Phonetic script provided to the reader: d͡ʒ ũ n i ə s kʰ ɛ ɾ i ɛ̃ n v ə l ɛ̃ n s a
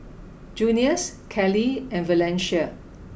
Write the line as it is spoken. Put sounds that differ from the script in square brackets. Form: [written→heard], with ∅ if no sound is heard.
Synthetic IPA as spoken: d͡ʒ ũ n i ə s kʰ ɛ [ɾ→l] i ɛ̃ n v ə l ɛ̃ n [s→ʃ] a

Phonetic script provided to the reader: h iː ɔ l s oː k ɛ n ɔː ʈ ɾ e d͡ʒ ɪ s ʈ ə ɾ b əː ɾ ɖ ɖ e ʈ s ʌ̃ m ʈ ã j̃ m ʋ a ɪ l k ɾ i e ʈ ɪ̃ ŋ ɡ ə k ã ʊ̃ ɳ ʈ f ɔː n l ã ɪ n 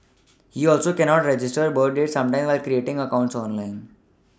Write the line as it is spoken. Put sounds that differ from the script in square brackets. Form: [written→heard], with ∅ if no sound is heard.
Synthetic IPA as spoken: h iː ɔ l s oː k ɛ n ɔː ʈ ɾ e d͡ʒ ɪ s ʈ ə ɾ b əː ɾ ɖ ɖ e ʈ s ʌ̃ m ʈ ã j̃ m ʋ a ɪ l k ɾ i e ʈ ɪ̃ ŋ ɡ ə k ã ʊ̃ ɳ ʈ [f→s] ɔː n l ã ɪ n

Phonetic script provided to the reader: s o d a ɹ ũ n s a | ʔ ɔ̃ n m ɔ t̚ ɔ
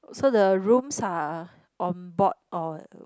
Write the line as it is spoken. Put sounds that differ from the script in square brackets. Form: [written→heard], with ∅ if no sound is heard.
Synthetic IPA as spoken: s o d [a→ə] ɹ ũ [n→m] s a | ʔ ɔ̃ n [m→b] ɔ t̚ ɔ

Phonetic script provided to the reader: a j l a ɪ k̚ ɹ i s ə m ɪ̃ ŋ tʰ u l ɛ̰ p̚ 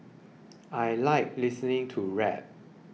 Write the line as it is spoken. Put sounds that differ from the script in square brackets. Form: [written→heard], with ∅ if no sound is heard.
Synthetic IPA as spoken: a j l a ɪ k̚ [ɹ→l] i s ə [m→n] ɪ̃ ŋ tʰ u [l→ɹ] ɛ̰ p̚

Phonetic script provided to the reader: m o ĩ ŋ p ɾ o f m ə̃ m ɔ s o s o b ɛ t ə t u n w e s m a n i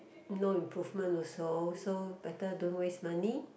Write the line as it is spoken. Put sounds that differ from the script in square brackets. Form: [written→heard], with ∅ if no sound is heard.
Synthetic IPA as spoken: [m→n] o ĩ [ŋ→m] p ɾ [o→u] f m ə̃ [m→n] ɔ s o s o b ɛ t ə [t→d] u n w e s m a n i

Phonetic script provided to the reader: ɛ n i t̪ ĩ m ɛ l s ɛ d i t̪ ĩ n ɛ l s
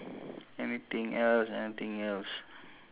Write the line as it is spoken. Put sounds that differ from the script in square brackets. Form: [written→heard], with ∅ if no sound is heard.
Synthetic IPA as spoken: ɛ n i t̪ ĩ [m→ŋ] ɛ l s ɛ [d→n] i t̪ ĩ [n→ŋ] ɛ l s

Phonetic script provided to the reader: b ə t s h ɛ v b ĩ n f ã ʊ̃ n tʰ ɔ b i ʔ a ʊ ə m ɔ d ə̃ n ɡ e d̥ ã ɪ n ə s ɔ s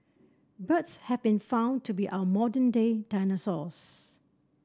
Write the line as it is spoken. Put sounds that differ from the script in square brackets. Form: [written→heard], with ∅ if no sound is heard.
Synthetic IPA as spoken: b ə t s h ɛ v b ĩ n f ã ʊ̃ n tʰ [ɔ→u] b i ʔ a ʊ ə m ɔ d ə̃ n [ɡ→d] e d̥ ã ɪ n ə s ɔ s

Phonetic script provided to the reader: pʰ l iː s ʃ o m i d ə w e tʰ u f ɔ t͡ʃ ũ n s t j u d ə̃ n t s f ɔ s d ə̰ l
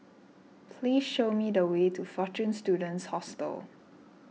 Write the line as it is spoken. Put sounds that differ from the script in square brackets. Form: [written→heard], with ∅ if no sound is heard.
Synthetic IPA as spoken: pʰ l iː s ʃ o m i d ə w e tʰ u f ɔ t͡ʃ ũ n s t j u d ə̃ n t s [f→h] ɔ s [d→t] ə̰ l

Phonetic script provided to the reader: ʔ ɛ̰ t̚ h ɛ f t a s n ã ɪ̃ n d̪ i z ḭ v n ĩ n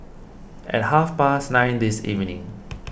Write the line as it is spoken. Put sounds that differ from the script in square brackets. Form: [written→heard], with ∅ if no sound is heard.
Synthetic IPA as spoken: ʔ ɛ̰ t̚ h [ɛ→a] f [t→p] a s n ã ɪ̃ n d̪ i [z→s] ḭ v n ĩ [n→ŋ]

